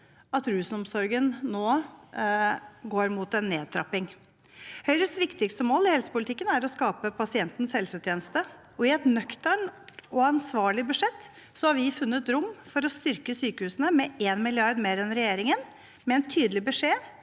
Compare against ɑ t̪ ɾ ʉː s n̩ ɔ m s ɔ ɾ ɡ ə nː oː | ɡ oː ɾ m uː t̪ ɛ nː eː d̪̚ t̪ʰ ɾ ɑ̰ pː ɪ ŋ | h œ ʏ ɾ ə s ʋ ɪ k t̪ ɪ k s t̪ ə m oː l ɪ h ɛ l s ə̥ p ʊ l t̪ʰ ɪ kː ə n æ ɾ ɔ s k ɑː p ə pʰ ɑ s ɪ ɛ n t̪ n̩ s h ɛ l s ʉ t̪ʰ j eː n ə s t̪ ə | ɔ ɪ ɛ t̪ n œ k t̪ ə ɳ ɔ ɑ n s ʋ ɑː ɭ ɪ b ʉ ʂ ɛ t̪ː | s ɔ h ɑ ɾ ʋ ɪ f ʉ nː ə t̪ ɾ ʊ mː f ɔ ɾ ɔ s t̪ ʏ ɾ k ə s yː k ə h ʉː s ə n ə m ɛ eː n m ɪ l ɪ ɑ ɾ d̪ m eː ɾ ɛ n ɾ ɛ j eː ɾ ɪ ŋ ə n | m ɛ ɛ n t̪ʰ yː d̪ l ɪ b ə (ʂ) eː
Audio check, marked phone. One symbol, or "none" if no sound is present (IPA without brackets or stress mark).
ʂ